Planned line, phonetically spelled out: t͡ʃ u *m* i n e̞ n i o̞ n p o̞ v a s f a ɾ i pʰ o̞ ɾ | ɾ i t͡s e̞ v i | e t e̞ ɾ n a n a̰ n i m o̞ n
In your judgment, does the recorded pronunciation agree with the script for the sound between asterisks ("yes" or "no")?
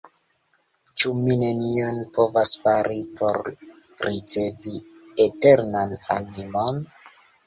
yes